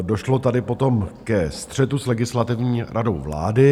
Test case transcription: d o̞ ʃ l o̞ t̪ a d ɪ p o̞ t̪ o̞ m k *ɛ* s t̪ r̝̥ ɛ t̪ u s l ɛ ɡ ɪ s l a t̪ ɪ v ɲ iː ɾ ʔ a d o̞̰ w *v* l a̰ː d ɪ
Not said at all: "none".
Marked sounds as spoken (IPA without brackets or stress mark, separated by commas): ɛ, v